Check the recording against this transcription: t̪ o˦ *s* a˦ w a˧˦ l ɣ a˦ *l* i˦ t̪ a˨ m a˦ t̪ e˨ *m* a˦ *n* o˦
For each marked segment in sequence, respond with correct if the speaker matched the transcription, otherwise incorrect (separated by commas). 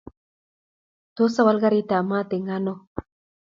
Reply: correct, incorrect, incorrect, correct